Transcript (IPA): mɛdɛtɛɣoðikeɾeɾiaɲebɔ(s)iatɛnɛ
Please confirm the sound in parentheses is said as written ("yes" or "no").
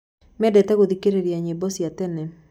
yes